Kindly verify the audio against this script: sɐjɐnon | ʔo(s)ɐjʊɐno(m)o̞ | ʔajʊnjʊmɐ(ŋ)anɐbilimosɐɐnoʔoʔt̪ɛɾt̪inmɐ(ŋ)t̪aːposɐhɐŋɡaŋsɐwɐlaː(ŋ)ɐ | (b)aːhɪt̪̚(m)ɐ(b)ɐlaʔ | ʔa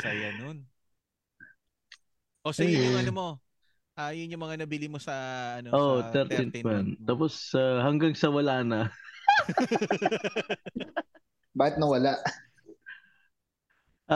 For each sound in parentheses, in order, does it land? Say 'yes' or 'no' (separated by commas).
yes, yes, yes, no, no, yes, no, no